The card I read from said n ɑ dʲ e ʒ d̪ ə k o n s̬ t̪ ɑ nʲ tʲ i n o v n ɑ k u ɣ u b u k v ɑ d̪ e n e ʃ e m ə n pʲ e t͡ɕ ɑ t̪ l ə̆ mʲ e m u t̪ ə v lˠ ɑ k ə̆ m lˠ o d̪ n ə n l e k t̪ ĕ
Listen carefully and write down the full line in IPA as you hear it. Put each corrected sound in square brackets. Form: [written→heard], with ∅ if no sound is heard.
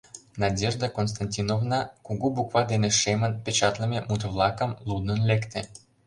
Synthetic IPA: n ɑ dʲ e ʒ d̪ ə k o n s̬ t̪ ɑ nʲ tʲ i n o v n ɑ k u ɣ u b u k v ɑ d̪ e n e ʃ e m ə n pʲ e t͡ɕ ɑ t̪ l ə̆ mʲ e m u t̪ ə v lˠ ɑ k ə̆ m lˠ [o→u] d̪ n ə n l e k t̪ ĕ